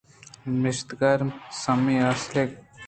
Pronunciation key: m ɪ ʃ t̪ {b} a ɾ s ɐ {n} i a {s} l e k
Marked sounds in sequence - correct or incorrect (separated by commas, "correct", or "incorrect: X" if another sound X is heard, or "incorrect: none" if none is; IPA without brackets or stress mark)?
incorrect: ɡ, incorrect: m, correct